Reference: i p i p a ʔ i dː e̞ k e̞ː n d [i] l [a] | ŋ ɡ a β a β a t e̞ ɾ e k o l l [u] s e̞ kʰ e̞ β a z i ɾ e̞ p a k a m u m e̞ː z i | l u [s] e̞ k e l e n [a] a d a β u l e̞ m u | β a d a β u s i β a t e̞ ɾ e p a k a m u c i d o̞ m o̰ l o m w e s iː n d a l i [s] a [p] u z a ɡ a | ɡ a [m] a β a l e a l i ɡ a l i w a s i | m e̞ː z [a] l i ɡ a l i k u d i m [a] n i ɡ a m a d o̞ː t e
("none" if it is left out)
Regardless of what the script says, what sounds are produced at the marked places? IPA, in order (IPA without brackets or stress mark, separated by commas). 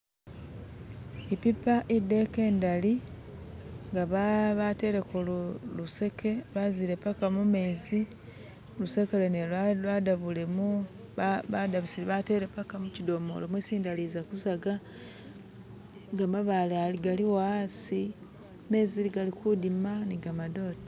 a, i, u, s, e, z, k, m, i, a